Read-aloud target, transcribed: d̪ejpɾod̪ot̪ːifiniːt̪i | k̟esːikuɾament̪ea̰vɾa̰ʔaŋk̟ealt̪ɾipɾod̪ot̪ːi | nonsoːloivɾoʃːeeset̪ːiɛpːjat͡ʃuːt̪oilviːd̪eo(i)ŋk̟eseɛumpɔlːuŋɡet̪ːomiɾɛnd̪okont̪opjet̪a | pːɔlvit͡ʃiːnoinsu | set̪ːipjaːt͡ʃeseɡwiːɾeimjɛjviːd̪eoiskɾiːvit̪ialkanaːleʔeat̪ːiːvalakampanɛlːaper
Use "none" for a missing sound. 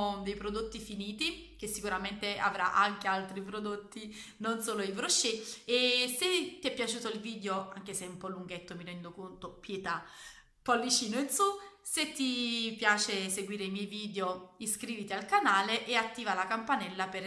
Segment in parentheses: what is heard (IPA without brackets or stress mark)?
a